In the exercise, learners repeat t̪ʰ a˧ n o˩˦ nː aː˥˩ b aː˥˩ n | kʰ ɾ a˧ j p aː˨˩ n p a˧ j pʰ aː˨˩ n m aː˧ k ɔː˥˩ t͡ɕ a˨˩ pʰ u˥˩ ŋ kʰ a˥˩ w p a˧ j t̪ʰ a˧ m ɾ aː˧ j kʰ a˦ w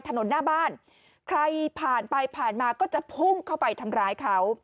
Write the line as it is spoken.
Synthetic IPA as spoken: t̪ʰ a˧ n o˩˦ nː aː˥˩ b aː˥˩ n | kʰ ɾ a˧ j pʰ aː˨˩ n p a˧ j pʰ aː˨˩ n m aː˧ k ɔː˥˩ t͡ɕ a˨˩ pʰ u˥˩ ŋ kʰ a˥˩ w p a˧ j t̪ʰ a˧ m ɾ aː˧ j kʰ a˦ w